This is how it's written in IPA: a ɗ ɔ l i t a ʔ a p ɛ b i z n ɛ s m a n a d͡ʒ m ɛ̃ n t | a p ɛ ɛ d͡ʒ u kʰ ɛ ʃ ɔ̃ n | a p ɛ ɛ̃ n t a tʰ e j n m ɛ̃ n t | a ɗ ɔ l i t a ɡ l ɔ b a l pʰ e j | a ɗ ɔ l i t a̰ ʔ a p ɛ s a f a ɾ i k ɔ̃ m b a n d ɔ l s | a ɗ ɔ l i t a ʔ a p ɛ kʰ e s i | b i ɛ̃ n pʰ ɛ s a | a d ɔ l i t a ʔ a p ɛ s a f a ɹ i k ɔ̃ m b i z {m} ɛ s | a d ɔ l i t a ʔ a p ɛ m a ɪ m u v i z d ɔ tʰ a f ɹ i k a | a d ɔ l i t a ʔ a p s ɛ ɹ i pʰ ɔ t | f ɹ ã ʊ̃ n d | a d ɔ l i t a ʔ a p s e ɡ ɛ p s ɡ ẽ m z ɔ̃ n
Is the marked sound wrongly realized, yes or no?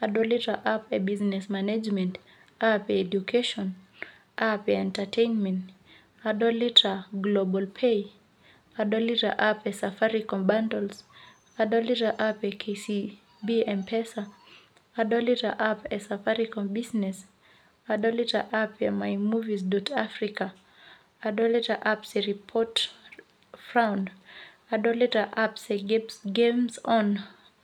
yes